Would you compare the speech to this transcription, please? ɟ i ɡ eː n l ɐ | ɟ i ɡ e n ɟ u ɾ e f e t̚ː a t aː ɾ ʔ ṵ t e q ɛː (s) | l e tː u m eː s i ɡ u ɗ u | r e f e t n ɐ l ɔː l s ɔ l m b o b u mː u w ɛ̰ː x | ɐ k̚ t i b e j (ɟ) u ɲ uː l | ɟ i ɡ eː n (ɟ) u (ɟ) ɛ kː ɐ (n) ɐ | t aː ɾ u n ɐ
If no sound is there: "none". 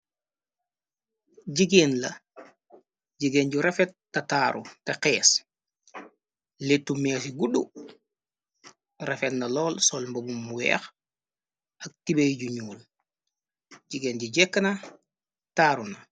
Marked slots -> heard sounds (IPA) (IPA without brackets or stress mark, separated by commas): s, ɟ, ɟ, ɟ, n